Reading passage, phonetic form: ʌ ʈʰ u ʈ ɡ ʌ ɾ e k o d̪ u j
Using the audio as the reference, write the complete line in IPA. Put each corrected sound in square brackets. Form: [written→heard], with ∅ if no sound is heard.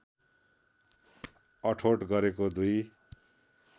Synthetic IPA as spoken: ʌ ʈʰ [u→o] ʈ ɡ ʌ ɾ e k o d̪ u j